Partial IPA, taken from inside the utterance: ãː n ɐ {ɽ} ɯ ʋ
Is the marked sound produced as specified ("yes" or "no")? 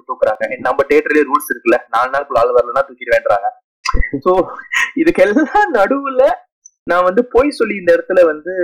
yes